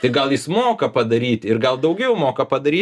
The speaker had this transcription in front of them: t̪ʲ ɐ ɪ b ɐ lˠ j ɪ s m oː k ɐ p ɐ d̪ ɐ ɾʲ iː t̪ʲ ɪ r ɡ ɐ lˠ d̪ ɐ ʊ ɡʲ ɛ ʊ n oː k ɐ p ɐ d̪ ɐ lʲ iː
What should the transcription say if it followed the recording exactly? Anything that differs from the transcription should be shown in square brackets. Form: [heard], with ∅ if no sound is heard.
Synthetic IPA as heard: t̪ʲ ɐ ɪ [ɡ] ɐ lˠ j ɪ s m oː k ɐ p ɐ d̪ ɐ ɾʲ iː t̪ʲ ɪ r ɡ ɐ lˠ d̪ ɐ ʊ ɡʲ ɛ ʊ [m] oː k ɐ p ɐ d̪ ɐ [ɾʲ] iː